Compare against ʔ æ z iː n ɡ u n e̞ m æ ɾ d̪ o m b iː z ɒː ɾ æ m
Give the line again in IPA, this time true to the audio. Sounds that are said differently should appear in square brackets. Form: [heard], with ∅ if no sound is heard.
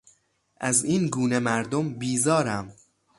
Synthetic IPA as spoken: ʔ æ z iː n ɡ [uː] n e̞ m æ ɾ d̪ o m b iː z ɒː ɾ æ m